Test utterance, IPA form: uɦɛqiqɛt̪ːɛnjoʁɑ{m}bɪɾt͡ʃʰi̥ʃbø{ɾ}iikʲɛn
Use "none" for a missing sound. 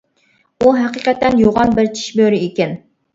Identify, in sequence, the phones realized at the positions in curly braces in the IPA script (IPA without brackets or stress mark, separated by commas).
n, ɾ